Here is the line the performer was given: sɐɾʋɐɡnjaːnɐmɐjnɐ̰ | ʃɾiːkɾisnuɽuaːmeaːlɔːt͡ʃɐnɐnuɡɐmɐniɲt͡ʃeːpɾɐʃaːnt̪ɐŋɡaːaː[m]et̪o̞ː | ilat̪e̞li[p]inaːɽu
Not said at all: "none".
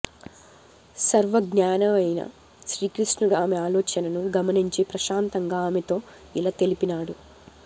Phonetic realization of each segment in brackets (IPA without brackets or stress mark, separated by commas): m, p